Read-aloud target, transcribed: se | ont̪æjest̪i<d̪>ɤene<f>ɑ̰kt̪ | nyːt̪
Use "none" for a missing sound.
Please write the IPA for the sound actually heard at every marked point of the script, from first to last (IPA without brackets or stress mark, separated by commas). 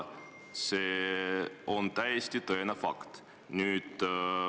t̪, f